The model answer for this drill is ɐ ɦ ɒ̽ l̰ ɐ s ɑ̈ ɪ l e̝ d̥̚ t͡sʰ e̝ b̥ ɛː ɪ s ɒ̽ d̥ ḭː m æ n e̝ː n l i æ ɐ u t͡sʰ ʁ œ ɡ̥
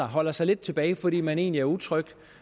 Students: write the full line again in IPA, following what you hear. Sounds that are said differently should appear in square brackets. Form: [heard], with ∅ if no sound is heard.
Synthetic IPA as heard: ɐ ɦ ɒ̽ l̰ ɐ s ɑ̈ ɪ l e̝ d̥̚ t͡sʰ e̝ b̥ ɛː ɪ [f] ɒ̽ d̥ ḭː m æ n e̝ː n l i æ ɐ u t͡sʰ ʁ œ ɡ̥

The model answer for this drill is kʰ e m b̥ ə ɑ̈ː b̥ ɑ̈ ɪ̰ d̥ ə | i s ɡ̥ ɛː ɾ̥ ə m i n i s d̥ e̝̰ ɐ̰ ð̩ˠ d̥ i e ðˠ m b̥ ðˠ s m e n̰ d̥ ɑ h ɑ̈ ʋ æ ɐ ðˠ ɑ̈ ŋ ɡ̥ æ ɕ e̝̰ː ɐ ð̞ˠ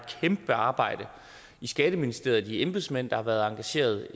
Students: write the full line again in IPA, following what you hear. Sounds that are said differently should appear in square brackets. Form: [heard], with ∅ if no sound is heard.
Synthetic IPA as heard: kʰ e m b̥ ə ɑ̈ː b̥ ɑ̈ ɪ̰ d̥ ə | i s ɡ̥ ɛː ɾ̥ ə m i n i s d̥ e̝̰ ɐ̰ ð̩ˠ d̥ i e [∅] m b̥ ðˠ s m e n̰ d̥ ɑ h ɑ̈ ʋ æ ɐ ðˠ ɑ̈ ŋ ɡ̥ æ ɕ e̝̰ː ɐ ð̞ˠ

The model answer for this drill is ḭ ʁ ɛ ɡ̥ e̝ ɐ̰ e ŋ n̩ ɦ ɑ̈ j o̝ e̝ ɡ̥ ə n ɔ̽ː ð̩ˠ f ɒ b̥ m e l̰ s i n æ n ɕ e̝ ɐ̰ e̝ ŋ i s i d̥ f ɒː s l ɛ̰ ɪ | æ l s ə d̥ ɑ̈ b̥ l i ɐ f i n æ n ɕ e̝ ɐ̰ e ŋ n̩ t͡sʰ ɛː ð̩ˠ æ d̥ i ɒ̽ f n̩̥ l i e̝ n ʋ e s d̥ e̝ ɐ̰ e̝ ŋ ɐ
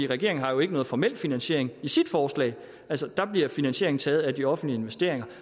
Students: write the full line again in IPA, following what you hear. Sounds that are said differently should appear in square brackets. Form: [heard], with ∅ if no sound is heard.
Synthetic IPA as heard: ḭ ʁ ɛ ɡ̥ e̝ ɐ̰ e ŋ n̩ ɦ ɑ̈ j o̝ e̝ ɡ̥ ə n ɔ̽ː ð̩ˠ f ɒ [∅] m e l̰ [f] i n æ n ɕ e̝ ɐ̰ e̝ ŋ i s i d̥ f ɒː s l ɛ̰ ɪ | æ l s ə d̥ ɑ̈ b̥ l i ɐ f i n æ n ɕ e̝ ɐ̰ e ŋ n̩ t͡sʰ ɛː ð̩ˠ æ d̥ i ɒ̽ f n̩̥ l i e̝ n ʋ e s d̥ e̝ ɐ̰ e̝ ŋ ɐ

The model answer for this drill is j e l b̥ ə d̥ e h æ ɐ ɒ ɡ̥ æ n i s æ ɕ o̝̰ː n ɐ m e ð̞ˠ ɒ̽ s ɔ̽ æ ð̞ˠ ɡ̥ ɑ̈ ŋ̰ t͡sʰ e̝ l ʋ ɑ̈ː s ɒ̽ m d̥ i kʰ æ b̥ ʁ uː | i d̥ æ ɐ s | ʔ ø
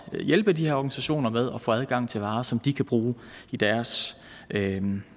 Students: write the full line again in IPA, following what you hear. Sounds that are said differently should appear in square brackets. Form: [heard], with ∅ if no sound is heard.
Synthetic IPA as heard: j e l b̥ ə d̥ [i] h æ ɐ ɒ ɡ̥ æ n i s æ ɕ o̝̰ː n ɐ m e ð̞ˠ ɒ̽ [f] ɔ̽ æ ð̞ˠ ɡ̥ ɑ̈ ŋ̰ t͡sʰ e̝ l ʋ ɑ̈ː s ɒ̽ m d̥ i kʰ æ b̥ ʁ uː | i d̥ æ ɐ s | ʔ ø

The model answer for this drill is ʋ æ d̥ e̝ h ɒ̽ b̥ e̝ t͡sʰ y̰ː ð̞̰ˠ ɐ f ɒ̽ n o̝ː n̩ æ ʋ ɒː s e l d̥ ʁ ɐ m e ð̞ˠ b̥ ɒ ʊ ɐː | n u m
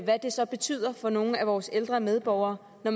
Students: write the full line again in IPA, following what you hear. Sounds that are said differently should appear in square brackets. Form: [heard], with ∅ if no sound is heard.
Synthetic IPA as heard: ʋ æ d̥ e̝ [s] ɒ̽ b̥ e̝ t͡sʰ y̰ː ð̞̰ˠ ɐ f ɒ̽ n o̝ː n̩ æ ʋ ɒː s e l d̥ ʁ ɐ m e ð̞ˠ b̥ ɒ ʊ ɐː | n [ɒ] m

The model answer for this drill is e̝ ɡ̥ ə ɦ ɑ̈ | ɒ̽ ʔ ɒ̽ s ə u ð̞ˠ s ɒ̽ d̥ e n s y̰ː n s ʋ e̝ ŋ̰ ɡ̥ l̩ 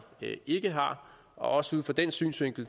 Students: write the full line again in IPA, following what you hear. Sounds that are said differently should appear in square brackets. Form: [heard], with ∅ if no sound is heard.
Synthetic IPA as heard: e̝ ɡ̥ ə ɦ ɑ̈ | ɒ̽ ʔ ɒ̽ s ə u ð̞ˠ [f] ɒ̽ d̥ e n s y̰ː n s ʋ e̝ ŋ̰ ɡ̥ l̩

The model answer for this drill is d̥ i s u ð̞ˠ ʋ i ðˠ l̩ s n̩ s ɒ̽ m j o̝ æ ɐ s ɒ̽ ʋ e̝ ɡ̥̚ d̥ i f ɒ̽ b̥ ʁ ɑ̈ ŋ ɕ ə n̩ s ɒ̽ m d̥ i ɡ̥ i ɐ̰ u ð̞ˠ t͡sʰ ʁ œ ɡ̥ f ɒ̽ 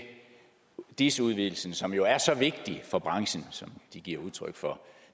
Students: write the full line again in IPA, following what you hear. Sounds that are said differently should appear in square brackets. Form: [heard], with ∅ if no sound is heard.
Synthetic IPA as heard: d̥ i s u ð̞ˠ ʋ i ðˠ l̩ s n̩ s ɒ̽ m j o̝ æ ɐ s ɒ̽ ʋ e̝ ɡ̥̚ d̥ i f ɒ̽ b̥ ʁ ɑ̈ ŋ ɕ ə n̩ s ɒ̽ m d̥ i ɡ̥ i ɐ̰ u ð̞ˠ t͡sʰ ʁ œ ɡ̥ f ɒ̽

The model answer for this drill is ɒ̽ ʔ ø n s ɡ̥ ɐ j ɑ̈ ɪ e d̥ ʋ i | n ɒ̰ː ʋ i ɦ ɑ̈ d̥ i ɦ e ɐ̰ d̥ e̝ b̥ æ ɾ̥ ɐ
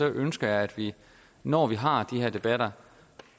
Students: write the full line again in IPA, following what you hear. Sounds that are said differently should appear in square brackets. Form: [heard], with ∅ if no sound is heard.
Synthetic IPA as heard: ɒ̽ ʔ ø n s ɡ̥ ɐ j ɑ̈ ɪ [æ] d̥ ʋ i | n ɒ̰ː ʋ i ɦ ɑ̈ d̥ i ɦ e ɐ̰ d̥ e̝ b̥ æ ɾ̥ ɐ

